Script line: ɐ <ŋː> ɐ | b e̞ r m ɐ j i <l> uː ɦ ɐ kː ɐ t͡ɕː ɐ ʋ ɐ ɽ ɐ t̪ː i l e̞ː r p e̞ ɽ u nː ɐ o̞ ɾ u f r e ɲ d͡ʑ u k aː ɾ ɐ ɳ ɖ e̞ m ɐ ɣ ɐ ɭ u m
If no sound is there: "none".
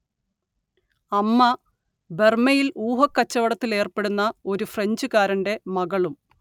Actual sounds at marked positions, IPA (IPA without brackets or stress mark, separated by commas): mː, l